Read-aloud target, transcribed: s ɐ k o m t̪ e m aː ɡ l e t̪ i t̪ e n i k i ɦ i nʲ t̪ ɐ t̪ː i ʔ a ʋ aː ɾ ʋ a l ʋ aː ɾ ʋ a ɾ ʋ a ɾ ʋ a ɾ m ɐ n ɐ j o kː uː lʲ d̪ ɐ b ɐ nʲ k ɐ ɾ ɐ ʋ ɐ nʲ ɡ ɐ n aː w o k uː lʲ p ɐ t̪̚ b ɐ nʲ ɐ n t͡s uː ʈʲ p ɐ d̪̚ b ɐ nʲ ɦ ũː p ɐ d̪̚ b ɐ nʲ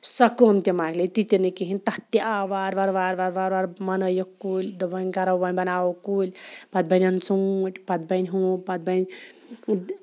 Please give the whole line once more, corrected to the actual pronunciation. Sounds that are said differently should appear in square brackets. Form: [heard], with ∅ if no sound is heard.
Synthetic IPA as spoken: s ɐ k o m t̪ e m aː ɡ l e t̪ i t̪ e n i k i ɦ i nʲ t̪ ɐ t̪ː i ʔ a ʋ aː ɾ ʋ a [ɾ] ʋ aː ɾ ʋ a ɾ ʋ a ɾ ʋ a ɾ m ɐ n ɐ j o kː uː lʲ d̪ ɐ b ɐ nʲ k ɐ ɾ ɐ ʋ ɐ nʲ [b] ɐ n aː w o k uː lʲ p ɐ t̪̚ b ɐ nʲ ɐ n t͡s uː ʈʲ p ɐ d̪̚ b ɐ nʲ ɦ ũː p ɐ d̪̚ b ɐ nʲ